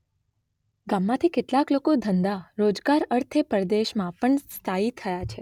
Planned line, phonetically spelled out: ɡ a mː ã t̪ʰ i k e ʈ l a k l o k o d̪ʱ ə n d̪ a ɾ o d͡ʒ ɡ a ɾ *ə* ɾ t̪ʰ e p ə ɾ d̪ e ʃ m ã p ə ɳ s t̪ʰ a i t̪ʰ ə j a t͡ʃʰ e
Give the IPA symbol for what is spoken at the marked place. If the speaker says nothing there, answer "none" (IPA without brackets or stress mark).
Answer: ə